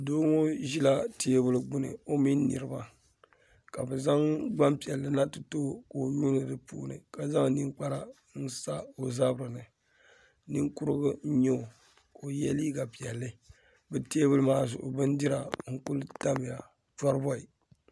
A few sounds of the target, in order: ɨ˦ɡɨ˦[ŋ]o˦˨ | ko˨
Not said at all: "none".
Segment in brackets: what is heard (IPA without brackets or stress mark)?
ɲ